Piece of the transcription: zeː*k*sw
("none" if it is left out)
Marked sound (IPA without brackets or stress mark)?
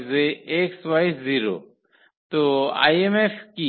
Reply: k